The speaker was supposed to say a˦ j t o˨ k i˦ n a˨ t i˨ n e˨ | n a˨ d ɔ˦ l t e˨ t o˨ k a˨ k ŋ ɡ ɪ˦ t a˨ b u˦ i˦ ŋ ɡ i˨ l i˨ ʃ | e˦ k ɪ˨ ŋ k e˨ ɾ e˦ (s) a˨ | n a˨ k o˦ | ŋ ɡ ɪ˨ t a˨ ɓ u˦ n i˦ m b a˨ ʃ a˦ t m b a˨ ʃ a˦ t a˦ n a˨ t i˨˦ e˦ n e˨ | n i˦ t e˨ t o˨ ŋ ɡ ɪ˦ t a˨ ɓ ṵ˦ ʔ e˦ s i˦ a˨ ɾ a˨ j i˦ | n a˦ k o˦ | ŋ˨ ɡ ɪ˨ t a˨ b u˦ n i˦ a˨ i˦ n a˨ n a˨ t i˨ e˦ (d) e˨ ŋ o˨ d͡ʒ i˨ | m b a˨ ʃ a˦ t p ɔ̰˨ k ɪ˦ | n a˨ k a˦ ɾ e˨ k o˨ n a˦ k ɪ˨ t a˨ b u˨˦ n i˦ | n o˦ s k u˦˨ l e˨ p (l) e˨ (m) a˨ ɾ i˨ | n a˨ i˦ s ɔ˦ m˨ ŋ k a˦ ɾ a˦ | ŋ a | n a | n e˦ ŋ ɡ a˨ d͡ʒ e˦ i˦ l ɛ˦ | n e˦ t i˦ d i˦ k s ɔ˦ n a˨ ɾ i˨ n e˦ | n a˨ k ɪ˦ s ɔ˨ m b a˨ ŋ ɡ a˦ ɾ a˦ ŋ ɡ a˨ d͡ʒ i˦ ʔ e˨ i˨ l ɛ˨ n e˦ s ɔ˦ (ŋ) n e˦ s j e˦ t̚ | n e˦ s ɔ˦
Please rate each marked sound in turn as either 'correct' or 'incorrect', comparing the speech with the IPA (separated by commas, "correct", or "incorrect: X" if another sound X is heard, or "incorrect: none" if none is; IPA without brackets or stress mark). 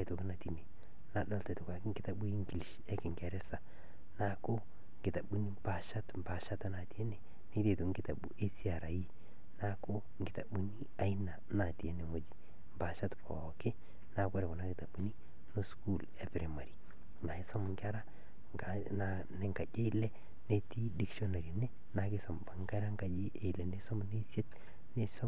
correct, incorrect: n, incorrect: ɾ, correct, incorrect: m